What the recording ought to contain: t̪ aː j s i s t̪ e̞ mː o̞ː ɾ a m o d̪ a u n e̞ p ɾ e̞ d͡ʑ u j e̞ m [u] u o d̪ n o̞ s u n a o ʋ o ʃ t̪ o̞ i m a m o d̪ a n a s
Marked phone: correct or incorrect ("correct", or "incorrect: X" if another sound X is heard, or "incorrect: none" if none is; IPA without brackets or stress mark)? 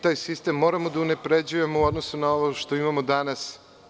incorrect: o